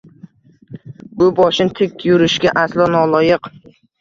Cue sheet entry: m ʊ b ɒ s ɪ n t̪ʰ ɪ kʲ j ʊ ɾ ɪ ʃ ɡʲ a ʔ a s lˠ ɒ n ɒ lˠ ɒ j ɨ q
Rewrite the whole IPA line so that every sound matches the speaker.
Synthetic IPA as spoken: b ʊ b ɒ ʃ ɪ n t̪ʰ ɪ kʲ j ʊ ɾ ɪ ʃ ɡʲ a ʔ a s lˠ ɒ n ɒ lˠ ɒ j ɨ q

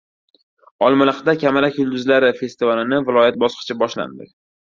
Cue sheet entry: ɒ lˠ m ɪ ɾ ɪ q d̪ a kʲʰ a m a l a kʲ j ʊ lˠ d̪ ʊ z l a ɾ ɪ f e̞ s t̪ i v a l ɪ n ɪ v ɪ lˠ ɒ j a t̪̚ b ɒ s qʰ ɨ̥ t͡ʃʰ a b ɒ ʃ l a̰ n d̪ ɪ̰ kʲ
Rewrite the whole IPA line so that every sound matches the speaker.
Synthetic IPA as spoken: ɒ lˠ m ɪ l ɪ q d̪ a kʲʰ a m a l a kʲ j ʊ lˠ d̪ ʊ z l a ɾ ɪ f e̞ s t̪ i v a l ɪ n ɪ v ɪ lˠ ɒ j a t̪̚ b ɒ s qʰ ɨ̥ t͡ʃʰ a b ɒ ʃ l a̰ n d̪ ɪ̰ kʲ

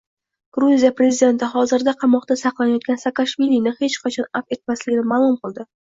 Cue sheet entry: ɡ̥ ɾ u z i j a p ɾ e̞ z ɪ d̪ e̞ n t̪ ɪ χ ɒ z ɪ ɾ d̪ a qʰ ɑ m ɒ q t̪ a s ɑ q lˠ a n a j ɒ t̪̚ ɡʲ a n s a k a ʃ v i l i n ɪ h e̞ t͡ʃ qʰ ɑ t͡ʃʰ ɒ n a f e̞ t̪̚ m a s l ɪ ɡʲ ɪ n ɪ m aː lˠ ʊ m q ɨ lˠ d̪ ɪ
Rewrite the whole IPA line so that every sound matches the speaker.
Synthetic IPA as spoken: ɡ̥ ɾ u z i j a p ɾ e̞ z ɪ d̪ e̞ n t̪ ɪ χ ɒ z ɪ ɾ d̪ a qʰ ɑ m ɒ q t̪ a s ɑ q lˠ a n a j ɒ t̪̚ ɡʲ a n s a k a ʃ v i l i n ɪ h e̞ t͡ʃ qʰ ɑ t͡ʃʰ ɒ n a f e̞ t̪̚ m a s l ɪ ɡʲ ɪ n ɪ m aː lˠ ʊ m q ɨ lˠ d̪ ɪ

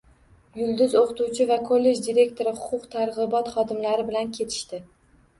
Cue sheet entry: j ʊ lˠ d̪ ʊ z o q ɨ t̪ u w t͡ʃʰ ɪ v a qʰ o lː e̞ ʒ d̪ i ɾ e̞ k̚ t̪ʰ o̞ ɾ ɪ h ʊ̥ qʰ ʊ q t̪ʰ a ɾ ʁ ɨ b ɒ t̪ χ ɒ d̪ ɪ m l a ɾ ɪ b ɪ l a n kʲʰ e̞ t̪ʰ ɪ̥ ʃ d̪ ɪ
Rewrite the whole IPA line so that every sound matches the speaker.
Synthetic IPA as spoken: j ʊ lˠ d̪ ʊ z o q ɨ t̪ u w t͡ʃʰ ɪ v a kʰ o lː e̞ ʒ d̪ i ɾ e̞ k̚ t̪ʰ o̞ ɾ ɪ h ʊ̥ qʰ ʊ q t̪ʰ a ɾ ʁ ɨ b ɒ t̪ χ ɒ d̪ ɪ m l a ɾ ɪ b ɪ l a n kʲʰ e̞ t̪ʰ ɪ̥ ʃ t̪ ɪ

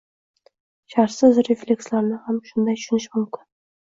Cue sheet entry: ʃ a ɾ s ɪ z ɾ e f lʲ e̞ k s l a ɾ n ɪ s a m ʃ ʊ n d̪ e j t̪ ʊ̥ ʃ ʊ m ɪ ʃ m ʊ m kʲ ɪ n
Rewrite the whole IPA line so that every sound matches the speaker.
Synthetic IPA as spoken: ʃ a ɾ s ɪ z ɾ e f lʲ e̞ k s l a ɾ n ɪ h a m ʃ ʊ n d̪ a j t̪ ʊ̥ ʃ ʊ n ɪ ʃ m ʊ m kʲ ɪ n

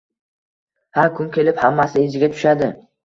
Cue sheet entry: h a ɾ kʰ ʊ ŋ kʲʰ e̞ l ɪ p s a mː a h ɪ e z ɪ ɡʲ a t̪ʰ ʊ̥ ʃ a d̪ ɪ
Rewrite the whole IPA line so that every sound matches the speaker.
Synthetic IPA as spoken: h a ɾ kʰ ʊ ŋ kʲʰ e̞ l ɪ p h a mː a s ɪ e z ɪ ɡʲ a t̪ʰ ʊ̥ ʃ a d̪ ɪ

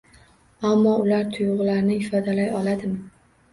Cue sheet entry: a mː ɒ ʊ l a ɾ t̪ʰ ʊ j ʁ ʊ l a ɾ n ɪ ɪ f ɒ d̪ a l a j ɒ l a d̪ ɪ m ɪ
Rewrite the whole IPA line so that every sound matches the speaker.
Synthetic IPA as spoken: a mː ɒ ʊ l a ɾ t̪ʰ ʊ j ʁ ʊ l a ɾ n ɪ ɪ f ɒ d̪ a l a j ɒ l a d̪ ɪ m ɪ

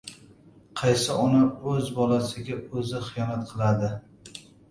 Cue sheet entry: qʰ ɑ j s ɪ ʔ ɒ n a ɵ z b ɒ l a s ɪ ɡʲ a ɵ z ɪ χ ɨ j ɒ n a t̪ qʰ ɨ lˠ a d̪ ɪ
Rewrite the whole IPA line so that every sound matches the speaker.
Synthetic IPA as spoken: qʰ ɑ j s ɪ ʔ ɒ n a ɵ z b ɒ l a s ɪ ɡʲ a ɵ z ɪ χ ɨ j ɒ n a t̪ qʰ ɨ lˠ a d̪ ɪ

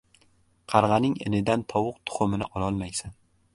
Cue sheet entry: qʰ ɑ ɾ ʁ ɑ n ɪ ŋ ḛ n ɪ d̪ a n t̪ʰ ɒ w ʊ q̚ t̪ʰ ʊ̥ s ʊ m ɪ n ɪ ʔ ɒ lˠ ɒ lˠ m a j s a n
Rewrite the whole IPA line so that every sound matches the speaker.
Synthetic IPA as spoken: qʰ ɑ ɾ ʁ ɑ n ɪ ŋ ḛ n ɪ d̪ a n t̪ʰ ɒ w ʊ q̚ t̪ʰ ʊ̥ χ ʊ m ɪ n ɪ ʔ ɒ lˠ ɒ lˠ m a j s a n

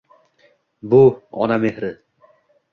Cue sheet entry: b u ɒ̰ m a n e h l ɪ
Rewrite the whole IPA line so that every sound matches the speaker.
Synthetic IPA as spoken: b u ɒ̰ n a m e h ɾ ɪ

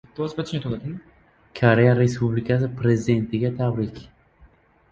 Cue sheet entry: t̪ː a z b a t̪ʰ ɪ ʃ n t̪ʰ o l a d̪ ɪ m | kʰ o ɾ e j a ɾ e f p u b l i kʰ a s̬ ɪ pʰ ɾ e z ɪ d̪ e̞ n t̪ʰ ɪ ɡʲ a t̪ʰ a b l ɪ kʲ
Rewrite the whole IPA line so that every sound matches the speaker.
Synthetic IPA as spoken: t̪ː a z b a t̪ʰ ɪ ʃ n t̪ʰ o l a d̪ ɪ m | kʰ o ɾ e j a ɾ e s p u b l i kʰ a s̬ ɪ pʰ ɾ e z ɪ d̪ e̞ n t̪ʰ ɪ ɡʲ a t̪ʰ a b ɾ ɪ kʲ

